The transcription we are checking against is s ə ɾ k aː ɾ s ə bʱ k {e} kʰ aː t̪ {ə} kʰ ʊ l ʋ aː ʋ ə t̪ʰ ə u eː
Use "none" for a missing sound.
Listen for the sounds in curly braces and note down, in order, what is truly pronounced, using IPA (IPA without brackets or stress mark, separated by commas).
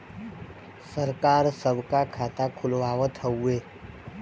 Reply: a, a